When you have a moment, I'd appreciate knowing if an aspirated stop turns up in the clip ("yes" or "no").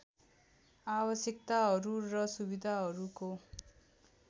no